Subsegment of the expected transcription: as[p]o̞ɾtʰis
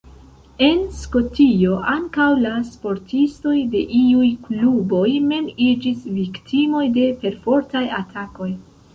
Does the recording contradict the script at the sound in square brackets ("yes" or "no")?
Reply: no